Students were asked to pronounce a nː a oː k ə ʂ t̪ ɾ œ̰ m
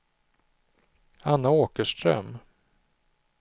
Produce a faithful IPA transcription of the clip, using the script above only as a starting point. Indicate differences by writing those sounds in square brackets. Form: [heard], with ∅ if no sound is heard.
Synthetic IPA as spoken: a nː a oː k ə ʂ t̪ ɾ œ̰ m